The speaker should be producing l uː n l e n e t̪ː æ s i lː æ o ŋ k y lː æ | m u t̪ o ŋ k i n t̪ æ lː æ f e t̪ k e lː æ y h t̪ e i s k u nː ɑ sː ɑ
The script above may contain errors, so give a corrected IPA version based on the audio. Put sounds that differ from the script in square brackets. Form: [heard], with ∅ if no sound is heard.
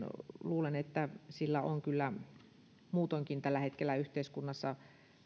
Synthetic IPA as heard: l uː [∅] l e n e t̪ː æ s i lː æ o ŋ k y lː æ | m [uː] t̪ o ŋ k i n t̪ æ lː æ [h] e t̪ k e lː æ y h t̪ e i s k u nː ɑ sː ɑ